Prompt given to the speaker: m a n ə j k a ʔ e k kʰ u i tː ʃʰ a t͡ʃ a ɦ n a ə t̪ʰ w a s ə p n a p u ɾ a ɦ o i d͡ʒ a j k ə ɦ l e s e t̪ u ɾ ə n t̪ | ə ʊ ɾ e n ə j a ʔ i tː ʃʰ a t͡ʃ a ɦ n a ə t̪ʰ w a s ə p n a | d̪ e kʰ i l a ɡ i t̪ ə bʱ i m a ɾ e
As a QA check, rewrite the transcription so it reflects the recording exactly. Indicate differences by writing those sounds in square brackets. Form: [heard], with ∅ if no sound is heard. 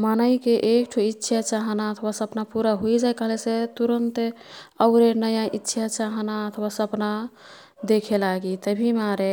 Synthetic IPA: m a n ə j k [e] ʔ e k [ʈʰ] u i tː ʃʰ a t͡ʃ a ɦ n a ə t̪ʰ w a s ə p n a p u ɾ a ɦ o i d͡ʒ a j k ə ɦ l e s e t̪ u ɾ ə n t̪ | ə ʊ ɾ e n ə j a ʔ i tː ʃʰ a t͡ʃ a ɦ n a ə t̪ʰ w a s ə p n a | d̪ e kʰ [e] l a ɡ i t̪ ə bʱ i m a ɾ e